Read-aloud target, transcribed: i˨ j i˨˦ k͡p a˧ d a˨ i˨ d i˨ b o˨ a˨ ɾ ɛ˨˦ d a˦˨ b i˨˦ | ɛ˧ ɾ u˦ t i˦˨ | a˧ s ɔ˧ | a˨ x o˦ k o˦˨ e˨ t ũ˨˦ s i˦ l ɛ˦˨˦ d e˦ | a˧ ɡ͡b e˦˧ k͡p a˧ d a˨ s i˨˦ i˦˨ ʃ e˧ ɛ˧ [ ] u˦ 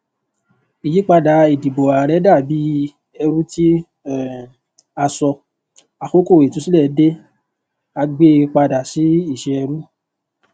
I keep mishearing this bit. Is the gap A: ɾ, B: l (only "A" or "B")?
A